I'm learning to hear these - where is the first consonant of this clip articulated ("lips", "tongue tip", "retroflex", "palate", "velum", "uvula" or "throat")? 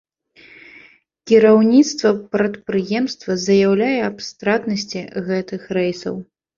velum